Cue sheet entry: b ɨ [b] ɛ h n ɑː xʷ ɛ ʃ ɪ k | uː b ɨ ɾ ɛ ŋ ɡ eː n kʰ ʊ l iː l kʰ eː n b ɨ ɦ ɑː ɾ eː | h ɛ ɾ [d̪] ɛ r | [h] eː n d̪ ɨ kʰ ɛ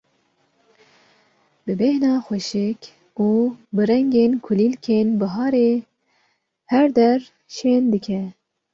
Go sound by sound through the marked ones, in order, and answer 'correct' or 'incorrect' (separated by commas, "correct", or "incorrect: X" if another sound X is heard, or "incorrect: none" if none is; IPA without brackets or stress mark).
correct, correct, incorrect: ʃ